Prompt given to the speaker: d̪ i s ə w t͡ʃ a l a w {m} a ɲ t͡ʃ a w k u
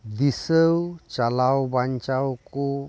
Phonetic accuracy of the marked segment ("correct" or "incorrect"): incorrect